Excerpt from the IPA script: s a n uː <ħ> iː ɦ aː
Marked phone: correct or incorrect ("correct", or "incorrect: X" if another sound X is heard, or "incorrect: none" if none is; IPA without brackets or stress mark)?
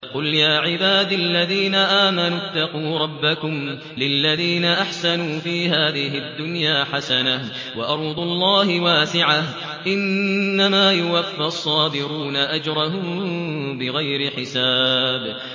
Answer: incorrect: f